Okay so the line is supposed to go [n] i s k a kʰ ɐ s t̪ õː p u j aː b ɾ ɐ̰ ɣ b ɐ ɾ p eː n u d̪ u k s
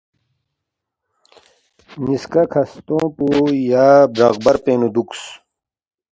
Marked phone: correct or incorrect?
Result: correct